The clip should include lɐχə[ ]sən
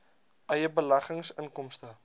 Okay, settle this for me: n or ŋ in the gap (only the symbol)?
ŋ